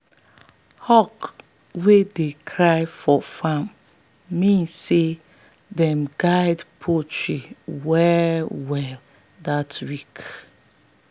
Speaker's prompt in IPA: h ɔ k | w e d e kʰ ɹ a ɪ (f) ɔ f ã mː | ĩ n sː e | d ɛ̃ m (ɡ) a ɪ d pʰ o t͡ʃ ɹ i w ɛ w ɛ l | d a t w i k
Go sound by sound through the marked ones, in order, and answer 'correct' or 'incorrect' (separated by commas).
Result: correct, correct